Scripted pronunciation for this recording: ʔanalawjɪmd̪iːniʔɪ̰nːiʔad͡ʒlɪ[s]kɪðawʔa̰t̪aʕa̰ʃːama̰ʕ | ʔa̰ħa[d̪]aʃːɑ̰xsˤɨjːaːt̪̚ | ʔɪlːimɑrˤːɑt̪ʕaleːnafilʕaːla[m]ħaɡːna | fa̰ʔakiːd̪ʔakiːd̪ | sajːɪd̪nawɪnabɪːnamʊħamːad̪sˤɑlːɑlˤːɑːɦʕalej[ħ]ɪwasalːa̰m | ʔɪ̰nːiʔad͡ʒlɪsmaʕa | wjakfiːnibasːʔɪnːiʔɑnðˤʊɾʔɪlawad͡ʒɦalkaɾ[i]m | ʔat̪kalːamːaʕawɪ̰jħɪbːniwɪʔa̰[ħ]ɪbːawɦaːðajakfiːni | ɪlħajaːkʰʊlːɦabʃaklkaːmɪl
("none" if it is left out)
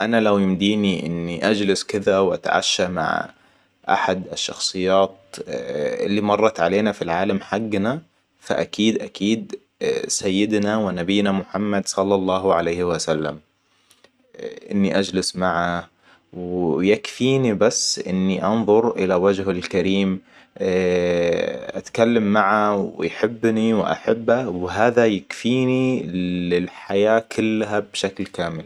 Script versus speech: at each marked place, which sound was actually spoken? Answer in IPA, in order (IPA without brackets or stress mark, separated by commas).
s, d̪, m, h, iː, ħ